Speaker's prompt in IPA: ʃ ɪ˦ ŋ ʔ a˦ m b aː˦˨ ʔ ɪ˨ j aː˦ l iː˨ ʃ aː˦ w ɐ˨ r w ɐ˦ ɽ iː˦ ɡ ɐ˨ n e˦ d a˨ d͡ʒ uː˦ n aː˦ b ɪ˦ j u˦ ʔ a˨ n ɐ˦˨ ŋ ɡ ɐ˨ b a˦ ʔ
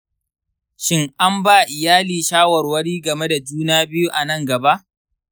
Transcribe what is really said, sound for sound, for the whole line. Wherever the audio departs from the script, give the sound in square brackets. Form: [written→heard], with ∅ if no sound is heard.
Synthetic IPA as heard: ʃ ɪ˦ ŋ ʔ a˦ m b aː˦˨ ʔ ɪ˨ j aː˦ l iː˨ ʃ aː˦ w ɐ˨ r w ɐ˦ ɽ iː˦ ɡ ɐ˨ [n→m] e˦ d a˨ d͡ʒ uː˦ n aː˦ b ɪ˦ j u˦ ʔ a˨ n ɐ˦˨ ŋ ɡ ɐ˨ b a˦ ʔ